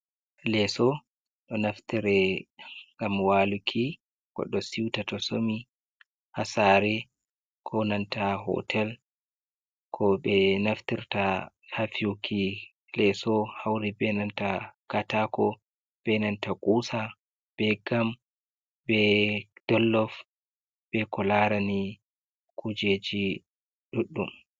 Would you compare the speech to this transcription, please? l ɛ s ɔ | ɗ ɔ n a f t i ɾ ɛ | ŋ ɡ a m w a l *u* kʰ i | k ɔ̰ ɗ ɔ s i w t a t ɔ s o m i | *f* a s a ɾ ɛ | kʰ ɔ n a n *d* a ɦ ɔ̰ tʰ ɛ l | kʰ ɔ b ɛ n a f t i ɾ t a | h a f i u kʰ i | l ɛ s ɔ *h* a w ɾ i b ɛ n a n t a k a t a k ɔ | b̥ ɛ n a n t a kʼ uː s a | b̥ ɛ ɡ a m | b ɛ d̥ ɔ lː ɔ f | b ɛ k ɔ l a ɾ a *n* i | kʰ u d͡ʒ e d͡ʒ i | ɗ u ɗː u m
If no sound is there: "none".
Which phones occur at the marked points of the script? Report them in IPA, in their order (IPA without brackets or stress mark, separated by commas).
u, h, t, h, n